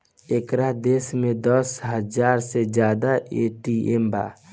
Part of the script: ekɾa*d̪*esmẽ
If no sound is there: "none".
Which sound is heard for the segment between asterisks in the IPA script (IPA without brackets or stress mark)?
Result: d̪